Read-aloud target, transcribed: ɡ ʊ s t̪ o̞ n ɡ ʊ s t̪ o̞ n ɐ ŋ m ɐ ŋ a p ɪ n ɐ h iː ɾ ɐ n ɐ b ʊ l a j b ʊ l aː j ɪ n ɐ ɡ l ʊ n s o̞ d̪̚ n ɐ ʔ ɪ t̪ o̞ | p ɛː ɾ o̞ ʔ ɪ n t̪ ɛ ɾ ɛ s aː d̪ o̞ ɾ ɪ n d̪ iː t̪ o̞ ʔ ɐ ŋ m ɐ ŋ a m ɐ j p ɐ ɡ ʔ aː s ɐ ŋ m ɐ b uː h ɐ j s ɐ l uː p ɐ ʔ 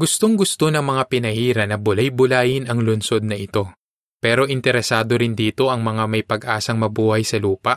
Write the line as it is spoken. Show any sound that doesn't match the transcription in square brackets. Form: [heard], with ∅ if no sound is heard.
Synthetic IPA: ɡ ʊ s t̪ o̞ [ŋ] ɡ ʊ s t̪ o̞ n ɐ ŋ m ɐ ŋ a p ɪ n ɐ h iː ɾ ɐ n ɐ b ʊ l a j b ʊ l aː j ɪ n ɐ [ŋ] l ʊ n s o̞ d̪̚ n ɐ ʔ ɪ t̪ o̞ | p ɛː ɾ o̞ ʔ ɪ n t̪ ɛ ɾ ɛ s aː d̪ o̞ ɾ ɪ n d̪ iː t̪ o̞ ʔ ɐ ŋ m ɐ ŋ a m ɐ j p ɐ ɡ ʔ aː s ɐ ŋ m ɐ b uː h ɐ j s ɐ l uː p ɐ ʔ